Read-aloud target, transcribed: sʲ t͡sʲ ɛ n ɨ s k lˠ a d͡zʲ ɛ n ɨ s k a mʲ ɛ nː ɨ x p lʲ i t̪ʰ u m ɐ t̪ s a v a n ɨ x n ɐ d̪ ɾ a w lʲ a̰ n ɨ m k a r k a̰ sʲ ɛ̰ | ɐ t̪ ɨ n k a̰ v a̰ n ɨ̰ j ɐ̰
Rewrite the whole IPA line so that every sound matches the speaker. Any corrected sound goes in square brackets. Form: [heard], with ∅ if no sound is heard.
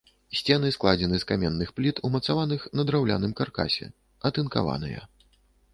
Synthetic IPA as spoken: sʲ t͡sʲ ɛ n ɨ s k lˠ a d͡zʲ ɛ n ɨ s k a mʲ ɛ nː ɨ x p lʲ i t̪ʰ u m ɐ t̪ s a v a n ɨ x n ɐ d̪ ɾ a w lʲ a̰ n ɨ m k a r k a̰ sʲ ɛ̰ | ɐ t̪ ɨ n k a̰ v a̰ n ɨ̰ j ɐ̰